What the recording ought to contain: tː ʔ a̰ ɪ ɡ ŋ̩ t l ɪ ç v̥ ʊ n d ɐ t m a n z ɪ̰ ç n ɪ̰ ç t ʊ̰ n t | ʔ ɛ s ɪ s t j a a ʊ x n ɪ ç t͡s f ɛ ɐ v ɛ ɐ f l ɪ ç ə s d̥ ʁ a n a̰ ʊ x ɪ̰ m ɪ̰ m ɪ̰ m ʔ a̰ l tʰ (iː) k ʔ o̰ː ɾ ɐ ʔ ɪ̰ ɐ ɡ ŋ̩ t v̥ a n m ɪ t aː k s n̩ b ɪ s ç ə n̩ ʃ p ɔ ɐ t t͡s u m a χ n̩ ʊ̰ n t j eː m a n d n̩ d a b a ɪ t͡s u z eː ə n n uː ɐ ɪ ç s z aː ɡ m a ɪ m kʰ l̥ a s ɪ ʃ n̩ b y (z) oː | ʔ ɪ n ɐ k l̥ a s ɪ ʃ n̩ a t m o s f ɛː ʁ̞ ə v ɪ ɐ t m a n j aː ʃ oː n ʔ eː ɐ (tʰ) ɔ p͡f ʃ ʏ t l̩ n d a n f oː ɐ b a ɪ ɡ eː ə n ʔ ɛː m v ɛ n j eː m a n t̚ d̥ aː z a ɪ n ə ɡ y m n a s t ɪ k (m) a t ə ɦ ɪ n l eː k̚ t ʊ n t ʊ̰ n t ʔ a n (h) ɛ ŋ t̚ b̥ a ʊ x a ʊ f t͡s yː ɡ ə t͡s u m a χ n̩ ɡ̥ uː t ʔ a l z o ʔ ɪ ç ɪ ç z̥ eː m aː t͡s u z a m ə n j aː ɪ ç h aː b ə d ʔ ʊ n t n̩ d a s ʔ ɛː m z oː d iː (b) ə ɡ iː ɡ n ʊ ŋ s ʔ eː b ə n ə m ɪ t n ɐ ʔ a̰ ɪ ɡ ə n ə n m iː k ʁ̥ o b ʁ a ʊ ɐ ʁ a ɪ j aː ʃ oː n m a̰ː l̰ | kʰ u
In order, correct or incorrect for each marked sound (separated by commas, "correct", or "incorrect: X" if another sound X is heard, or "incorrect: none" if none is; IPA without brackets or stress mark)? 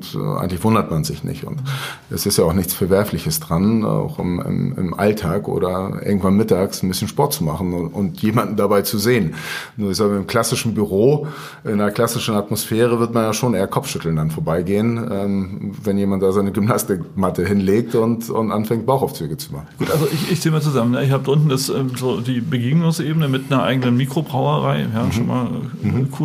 incorrect: aː, incorrect: ʁ, incorrect: kʰ, correct, incorrect: f, correct